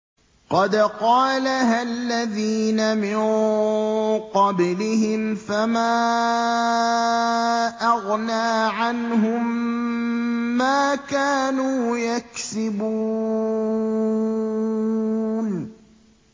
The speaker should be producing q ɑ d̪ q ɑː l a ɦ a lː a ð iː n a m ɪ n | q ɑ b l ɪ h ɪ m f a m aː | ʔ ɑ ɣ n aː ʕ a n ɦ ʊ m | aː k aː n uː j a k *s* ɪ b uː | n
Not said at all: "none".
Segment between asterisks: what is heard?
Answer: s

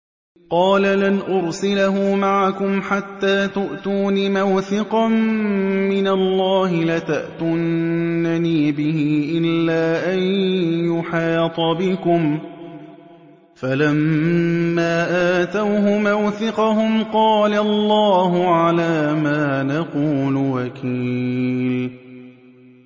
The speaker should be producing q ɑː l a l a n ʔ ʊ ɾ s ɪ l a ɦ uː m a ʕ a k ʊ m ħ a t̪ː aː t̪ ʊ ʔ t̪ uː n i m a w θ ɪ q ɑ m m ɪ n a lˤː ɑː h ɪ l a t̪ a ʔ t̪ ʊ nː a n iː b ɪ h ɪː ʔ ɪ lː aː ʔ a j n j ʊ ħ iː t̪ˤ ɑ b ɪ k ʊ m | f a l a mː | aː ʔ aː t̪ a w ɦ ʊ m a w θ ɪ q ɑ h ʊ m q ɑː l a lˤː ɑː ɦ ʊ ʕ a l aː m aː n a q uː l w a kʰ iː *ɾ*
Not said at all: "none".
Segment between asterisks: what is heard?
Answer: l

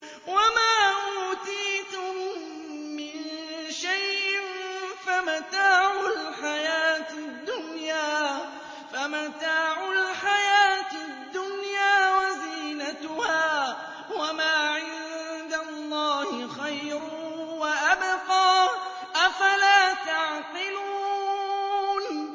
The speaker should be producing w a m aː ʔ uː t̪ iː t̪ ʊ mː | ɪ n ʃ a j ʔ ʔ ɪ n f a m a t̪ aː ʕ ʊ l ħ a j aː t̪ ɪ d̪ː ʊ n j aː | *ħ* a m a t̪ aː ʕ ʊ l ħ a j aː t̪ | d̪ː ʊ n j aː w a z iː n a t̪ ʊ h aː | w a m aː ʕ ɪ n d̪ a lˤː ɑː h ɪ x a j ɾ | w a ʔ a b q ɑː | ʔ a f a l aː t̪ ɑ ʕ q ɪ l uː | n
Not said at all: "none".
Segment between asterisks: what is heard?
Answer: f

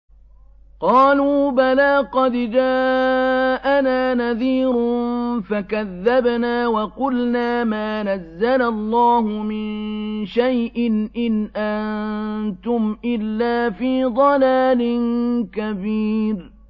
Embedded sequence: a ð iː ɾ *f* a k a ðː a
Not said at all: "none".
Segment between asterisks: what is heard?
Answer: f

